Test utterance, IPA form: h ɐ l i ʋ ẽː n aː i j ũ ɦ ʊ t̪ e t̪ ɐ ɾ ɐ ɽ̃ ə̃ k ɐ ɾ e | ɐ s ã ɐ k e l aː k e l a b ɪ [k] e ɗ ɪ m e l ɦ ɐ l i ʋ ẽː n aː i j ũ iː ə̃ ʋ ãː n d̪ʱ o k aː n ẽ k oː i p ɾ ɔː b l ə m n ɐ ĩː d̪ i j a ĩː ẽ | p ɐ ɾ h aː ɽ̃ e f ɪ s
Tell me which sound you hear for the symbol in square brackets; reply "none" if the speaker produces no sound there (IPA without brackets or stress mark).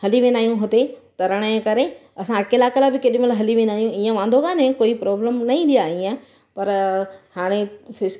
k